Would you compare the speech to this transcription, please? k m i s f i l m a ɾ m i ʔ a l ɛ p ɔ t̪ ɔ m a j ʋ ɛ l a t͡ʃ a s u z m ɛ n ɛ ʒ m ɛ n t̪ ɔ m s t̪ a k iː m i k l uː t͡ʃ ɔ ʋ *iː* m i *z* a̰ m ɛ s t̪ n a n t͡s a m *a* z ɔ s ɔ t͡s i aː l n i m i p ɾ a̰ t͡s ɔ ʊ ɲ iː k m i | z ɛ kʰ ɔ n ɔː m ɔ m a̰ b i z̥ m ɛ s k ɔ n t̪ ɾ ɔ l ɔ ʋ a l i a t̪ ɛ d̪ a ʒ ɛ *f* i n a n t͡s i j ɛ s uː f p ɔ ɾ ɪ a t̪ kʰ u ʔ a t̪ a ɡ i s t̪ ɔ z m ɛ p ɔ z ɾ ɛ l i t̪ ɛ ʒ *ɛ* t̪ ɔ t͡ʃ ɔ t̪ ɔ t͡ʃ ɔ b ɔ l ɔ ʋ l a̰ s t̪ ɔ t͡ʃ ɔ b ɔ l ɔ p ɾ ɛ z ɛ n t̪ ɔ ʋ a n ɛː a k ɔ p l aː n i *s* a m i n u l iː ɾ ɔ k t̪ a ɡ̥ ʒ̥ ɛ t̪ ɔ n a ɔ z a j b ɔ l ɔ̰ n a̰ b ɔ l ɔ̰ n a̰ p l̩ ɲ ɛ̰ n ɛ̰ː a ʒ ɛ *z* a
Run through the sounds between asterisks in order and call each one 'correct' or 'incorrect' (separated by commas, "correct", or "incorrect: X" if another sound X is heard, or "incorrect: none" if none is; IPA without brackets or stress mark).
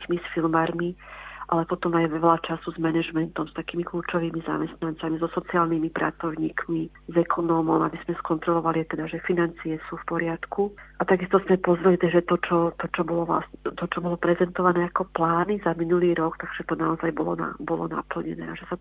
correct, correct, incorrect: i, correct, correct, incorrect: z, incorrect: s